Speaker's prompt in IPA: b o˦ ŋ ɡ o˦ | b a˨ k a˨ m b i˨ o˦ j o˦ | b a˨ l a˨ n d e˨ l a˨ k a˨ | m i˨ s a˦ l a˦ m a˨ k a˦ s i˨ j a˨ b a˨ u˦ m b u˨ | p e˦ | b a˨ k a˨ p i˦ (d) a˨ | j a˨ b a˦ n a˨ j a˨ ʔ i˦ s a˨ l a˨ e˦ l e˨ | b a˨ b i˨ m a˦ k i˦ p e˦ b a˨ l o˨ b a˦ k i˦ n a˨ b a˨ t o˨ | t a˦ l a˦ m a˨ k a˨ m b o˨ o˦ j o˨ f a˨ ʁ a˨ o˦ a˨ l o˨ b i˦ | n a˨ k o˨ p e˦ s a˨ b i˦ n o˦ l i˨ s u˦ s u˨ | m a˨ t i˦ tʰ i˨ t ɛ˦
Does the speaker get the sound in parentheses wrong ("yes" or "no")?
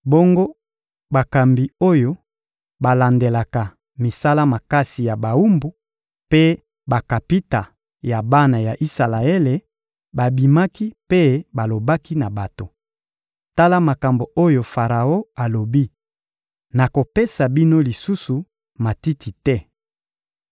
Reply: yes